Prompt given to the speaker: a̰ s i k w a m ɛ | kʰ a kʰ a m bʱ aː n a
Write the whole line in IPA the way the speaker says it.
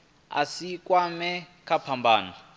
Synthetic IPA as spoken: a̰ s i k w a m ɛ | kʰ a pʰ a m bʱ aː n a